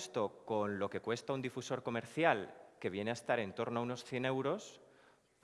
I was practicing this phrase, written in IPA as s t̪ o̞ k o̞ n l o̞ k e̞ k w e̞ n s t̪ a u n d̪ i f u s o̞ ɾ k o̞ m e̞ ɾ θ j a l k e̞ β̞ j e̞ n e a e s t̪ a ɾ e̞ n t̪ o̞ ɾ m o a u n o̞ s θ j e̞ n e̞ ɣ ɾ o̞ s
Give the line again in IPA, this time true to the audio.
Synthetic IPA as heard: s t̪ o̞ k o̞ n l o̞ k e̞ k w e̞ s t̪ a u n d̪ i f u s o̞ ɾ k o̞ m e̞ ɾ θ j a l k e̞ β̞ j e̞ n e a e s t̪ a ɾ e̞ n t̪ o̞ ɾ n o a u n o̞ s θ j e̞ n e̞ w ɾ o̞ s

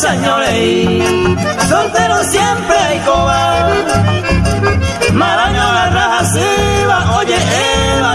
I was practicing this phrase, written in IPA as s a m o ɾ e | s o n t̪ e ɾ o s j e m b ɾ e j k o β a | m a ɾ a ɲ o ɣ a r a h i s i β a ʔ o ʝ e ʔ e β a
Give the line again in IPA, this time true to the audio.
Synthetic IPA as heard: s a ɲ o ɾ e | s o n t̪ e ɾ o s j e m p ɾ e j k o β a | m a ɾ a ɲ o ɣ a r a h a s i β a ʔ o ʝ e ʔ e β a

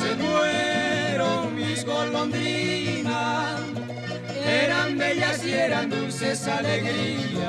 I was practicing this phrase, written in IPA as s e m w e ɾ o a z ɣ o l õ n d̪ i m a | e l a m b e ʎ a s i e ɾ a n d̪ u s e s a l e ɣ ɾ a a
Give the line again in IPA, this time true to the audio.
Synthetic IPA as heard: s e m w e ɾ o i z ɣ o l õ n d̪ i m a | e ɾ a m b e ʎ a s i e ɾ a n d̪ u s e s a l e ɣ ɾ i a

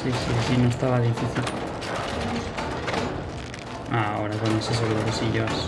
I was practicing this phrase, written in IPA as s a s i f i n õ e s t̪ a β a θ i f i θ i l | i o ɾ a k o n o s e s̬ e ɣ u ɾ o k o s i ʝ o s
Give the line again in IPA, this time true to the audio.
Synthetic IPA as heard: s i s i s i n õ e s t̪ a β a ð i f i θ i l | a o ɾ a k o n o s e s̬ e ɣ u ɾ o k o s i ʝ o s

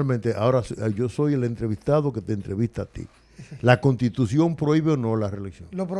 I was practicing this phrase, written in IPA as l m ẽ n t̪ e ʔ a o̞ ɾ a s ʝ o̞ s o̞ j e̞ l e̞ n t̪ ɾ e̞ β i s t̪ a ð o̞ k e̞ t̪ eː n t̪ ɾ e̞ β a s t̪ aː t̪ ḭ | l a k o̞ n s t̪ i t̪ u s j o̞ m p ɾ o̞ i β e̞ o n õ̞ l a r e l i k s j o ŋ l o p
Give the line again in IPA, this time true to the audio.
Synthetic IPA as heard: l m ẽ n t̪ e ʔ a o̞ ɾ a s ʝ o̞ s o̞ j e̞ l e̞ n t̪ ɾ e̞ β i s t̪ a ð o̞ k e̞ t̪ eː n t̪ ɾ e̞ β i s t̪ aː t̪ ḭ | l a k o̞ n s t̪ i t̪ u s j o̞ m p ɾ o̞ i β e̞ o n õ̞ l a r e l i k s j o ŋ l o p

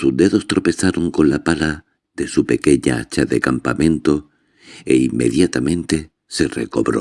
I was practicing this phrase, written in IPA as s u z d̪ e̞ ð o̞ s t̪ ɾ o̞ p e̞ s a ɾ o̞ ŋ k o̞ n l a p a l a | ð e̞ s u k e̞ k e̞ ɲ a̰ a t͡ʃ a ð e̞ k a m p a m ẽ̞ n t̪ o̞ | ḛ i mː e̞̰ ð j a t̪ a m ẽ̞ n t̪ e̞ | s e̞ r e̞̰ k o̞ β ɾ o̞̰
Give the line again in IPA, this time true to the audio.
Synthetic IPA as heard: s u z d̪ e̞ ð o̞ s t̪ ɾ o̞ p e̞ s a ɾ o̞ ŋ k o̞ n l a p a l a | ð e̞ s u p e̞ k e̞ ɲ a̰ a t͡ʃ a ð e̞ k a m p a m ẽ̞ n t̪ o̞ | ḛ i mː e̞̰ ð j a t̪ a m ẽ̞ n t̪ e̞ | s e̞ r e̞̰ k o̞ β ɾ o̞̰

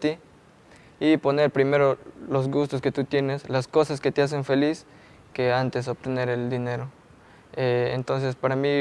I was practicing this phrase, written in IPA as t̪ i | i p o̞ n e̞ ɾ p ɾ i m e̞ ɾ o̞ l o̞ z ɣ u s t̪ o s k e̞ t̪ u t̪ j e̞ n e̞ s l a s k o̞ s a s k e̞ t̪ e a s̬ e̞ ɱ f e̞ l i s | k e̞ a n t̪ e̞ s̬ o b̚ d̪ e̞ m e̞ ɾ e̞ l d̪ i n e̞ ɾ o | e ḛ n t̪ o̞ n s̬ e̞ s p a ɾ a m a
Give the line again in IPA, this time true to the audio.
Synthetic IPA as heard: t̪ i | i p o̞ n e̞ ɾ p ɾ i m e̞ ɾ o̞ l o̞ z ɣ u s t̪ o s k e̞ t̪ u t̪ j e̞ n e̞ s l a s k o̞ s a s k e̞ t̪ e a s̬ e̞ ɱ f e̞ l i s | k e̞ a n t̪ e̞ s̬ o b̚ t̪ e̞ n e̞ ɾ e̞ l d̪ i n e̞ ɾ o | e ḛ n t̪ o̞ n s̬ e̞ s p a ɾ a m i

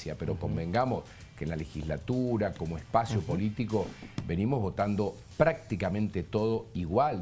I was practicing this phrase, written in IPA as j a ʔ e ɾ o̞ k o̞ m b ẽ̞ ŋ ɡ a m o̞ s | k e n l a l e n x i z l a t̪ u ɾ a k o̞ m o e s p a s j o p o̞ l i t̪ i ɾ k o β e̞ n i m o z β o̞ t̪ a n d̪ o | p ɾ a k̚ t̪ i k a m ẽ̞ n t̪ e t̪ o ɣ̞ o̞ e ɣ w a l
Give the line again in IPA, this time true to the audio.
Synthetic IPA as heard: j a p e ɾ o̞ k o̞ m b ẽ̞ ŋ ɡ a m o̞ s | k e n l a l e x i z l a t̪ u ɾ a k o̞ m o e s p a s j o p o̞ l i t̪ i k o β e̞ n i m o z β o̞ t̪ a n d̪ o | p ɾ a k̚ t̪ i k a m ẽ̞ n t̪ e t̪ o ð̞ o̞ i ɣ w a l

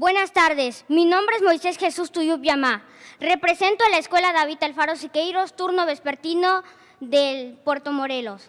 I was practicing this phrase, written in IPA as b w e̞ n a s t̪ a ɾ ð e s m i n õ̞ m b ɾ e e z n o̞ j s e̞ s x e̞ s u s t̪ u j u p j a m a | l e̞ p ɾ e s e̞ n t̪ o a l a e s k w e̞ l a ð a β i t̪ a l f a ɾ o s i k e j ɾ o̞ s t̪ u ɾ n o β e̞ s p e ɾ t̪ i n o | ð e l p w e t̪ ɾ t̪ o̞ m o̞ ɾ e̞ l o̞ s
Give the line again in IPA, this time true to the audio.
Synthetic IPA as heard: b w e̞ n a s t̪ a ɾ ð e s m i n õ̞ m b ɾ e e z m o̞ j s e̞ s x e̞ s u s t̪ u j u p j a m a | r e̞ p ɾ e s e̞ n t̪ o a l a e s k w e̞ l a ð a β i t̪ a l f a ɾ o s i k e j ɾ o̞ s t̪ u ɾ n o β e̞ s p e ɾ t̪ i n o | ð e l p w e ɾ t̪ o̞ m o̞ ɾ e̞ l o̞ s

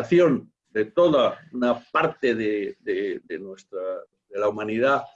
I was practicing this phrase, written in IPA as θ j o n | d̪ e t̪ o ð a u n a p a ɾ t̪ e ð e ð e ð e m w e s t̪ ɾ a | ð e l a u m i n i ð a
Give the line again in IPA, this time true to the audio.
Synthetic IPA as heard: θ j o n | d̪ e t̪ o ð a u n a p a ɾ t̪ e ð e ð e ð e n w e s t̪ ɾ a | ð e l a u m a n i ð a

